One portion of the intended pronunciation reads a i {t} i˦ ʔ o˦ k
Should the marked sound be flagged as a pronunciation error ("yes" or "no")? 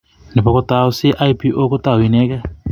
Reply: yes